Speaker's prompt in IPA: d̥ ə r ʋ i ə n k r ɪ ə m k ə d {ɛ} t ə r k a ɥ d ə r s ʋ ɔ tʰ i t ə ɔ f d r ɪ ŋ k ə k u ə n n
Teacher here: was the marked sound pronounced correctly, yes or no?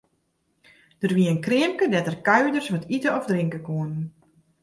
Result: yes